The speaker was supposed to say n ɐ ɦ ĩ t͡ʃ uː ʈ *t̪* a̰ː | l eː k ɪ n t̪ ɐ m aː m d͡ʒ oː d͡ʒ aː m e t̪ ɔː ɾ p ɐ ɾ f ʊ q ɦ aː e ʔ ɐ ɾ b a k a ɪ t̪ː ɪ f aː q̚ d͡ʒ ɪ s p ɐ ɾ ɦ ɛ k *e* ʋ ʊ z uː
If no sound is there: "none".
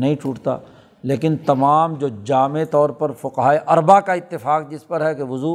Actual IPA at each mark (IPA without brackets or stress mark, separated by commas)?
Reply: t̪, e